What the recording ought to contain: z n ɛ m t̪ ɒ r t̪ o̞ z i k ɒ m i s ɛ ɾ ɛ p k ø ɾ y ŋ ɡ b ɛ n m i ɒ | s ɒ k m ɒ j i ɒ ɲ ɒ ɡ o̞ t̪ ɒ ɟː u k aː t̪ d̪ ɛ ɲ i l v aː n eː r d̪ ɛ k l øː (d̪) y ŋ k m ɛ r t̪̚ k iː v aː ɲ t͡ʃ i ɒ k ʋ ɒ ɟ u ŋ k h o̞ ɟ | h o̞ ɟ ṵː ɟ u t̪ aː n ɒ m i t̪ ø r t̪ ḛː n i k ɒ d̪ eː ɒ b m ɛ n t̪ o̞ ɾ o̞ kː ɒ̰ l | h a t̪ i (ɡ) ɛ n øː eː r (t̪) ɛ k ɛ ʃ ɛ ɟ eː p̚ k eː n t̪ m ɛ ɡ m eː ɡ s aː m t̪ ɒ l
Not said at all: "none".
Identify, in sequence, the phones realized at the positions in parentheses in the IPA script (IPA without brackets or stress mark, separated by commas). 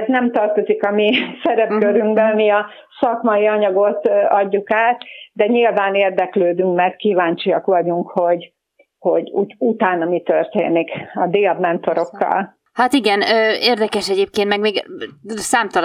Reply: d̪, ɡ, d̪